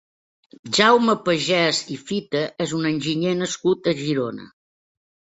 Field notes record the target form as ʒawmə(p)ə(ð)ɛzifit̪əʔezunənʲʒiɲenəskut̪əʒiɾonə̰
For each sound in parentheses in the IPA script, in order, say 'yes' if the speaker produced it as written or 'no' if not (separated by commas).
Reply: yes, no